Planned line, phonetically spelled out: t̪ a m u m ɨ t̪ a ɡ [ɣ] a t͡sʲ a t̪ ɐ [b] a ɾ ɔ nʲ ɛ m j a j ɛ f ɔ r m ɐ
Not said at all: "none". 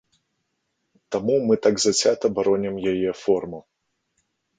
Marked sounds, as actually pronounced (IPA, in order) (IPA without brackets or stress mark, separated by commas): z, b